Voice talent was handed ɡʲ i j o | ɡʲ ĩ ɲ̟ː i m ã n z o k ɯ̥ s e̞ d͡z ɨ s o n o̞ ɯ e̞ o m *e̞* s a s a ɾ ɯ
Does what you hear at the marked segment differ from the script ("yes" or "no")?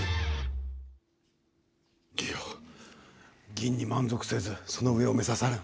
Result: no